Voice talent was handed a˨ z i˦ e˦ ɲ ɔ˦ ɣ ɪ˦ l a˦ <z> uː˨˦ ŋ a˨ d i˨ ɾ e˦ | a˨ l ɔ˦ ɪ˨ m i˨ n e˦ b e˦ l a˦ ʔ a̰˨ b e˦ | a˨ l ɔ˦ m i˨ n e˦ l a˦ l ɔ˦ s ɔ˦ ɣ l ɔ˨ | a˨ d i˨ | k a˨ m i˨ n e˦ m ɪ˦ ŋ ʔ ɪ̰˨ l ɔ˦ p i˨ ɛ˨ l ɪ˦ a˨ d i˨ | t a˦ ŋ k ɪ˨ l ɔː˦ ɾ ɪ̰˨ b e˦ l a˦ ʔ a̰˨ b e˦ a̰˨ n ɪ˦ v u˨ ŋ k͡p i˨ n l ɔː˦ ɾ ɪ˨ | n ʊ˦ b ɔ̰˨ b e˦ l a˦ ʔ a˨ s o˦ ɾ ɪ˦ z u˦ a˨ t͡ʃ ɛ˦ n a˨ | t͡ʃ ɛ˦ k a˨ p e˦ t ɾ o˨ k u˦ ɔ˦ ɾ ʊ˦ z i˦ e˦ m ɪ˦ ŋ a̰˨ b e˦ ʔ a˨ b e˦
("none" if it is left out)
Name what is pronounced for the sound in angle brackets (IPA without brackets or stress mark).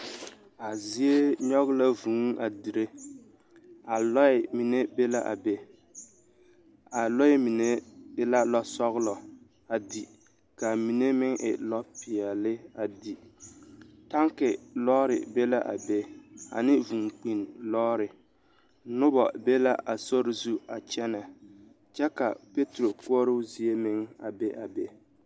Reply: v